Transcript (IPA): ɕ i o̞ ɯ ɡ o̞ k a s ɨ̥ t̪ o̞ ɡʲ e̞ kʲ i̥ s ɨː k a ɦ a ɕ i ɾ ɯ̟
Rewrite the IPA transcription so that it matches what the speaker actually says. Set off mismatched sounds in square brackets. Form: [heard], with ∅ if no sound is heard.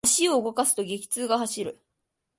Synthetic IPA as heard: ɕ i o̞ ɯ ɡ o̞ k a s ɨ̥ t̪ o̞ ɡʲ e̞ kʲ i̥ [t͡s] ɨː [ɡ] a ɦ a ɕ i ɾ ɯ̟